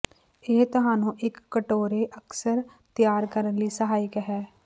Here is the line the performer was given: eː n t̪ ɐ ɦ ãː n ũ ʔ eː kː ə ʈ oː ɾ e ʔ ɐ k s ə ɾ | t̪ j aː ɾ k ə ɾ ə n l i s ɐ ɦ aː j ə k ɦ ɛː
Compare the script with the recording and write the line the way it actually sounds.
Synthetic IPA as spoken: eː t̪ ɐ ɦ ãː n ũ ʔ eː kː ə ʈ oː ɾ e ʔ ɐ k s ə ɾ | t̪ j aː ɾ k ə ɾ ə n l i s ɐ ɦ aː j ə k ɦ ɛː